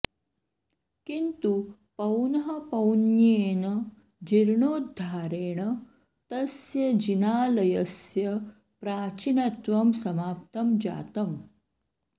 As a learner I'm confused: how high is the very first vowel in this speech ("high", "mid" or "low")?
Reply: high